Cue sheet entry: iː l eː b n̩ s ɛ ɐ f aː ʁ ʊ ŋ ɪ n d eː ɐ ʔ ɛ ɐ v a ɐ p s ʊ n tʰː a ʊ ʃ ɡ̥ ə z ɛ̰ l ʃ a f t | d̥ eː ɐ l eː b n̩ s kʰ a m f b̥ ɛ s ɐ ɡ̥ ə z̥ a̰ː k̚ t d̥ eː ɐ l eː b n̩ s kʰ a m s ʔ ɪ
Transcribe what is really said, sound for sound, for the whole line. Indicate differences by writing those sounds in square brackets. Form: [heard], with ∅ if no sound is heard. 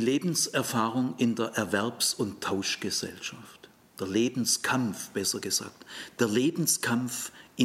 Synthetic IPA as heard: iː l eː b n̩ s ɛ ɐ f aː ʁ ʊ ŋ ɪ n d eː ɐ ʔ ɛ ɐ v [ɛ] ɐ p s ʊ n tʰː a ʊ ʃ ɡ̥ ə z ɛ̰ l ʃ a f t | d̥ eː ɐ l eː b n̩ s kʰ a m f b̥ ɛ s ɐ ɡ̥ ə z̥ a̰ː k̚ t d̥ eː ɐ l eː b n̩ s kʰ a m [f] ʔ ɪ